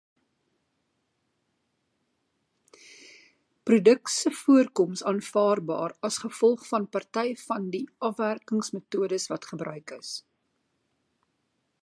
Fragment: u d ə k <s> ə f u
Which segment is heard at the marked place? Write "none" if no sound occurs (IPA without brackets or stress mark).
s